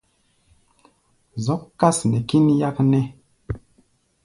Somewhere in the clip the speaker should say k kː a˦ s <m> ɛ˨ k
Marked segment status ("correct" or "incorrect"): incorrect